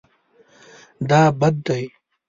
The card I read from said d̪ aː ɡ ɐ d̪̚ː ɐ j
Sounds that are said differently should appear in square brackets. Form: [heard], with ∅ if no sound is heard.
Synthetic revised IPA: d̪ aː [b] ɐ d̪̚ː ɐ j